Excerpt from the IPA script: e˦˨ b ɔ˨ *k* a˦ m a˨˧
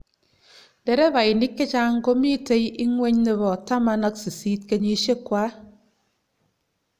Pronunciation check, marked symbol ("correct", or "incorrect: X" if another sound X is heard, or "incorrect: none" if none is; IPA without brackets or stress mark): incorrect: t